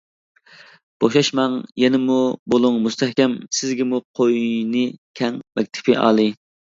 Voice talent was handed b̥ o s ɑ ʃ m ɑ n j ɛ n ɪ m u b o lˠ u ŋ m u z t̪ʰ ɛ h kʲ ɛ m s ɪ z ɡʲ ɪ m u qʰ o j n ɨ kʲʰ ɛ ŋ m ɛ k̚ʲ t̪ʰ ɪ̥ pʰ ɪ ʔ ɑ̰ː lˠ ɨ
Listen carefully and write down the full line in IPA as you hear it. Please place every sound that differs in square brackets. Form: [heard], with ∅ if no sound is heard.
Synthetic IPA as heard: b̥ o [ʃ] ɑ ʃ m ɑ [ŋ] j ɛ n ɪ m u b o lˠ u ŋ m u [s] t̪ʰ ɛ h kʲ ɛ m s ɪ z ɡʲ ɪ m u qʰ o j n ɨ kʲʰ ɛ ŋ m ɛ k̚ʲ t̪ʰ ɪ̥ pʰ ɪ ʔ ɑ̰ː lˠ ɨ